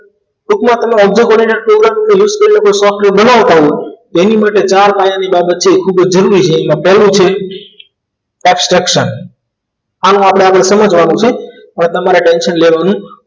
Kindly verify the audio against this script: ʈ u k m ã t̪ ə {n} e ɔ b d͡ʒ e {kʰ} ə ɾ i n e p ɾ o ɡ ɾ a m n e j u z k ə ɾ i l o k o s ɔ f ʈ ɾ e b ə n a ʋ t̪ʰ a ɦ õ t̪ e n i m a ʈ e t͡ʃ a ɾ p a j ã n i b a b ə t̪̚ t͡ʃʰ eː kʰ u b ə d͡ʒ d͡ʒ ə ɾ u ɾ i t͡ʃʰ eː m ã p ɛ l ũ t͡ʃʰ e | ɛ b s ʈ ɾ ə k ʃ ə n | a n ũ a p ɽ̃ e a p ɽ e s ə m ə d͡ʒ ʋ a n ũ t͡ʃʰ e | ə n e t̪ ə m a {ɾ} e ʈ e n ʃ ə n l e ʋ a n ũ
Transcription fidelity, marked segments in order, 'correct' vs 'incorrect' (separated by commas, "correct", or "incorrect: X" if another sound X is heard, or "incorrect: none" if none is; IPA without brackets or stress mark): incorrect: m, incorrect: k, correct